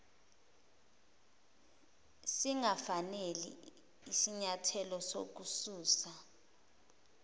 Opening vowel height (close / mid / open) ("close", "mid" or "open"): close